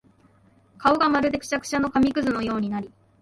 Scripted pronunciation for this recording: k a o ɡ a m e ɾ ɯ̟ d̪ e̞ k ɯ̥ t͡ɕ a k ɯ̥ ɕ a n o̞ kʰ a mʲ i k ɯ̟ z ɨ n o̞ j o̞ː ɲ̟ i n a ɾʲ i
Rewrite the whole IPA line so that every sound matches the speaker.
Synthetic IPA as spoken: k a o ɡ a m a ɾ ɯ̟ d̪ e̞ k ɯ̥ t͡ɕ a k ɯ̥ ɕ a n o̞ k a mʲ i k ɯ̟ z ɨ n o̞ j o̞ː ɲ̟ i n a ɾʲ i